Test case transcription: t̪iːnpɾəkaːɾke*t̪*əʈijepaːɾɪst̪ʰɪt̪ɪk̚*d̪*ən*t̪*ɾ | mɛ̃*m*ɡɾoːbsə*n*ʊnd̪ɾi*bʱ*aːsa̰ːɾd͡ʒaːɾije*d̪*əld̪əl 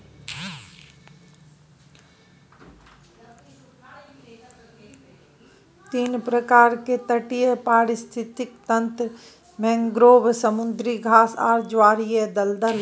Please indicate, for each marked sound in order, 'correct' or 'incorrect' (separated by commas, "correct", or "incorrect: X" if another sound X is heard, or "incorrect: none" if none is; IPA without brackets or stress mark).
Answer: correct, incorrect: t̪, correct, incorrect: ŋ, incorrect: m, incorrect: ɡʱ, correct